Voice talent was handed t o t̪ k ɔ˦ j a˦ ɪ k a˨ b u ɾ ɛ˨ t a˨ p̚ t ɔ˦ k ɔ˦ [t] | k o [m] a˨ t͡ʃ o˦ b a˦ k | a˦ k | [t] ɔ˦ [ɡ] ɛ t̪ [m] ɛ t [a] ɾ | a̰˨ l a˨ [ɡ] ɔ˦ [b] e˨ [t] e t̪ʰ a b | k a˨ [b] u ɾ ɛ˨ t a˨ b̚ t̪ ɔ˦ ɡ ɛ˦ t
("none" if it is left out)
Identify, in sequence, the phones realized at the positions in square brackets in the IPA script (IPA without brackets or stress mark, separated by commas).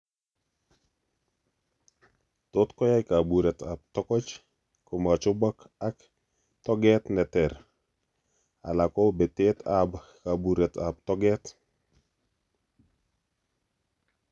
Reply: t͡ʃ, m, t, ɡ, n, ɛ, k, b, t, b